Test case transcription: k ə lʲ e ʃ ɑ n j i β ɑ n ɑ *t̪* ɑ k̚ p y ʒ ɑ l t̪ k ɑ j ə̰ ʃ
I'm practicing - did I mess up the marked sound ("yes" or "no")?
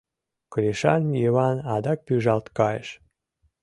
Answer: yes